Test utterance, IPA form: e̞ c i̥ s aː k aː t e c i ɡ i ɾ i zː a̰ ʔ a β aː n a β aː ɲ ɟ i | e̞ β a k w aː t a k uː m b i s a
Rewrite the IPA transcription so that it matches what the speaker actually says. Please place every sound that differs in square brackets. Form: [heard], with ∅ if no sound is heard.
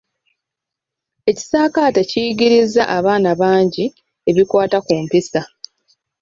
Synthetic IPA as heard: e̞ c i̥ s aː k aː t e c i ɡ i ɾ i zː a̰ ʔ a β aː n a β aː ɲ ɟ i | e̞ β [i] k w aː t a k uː m [p] i s a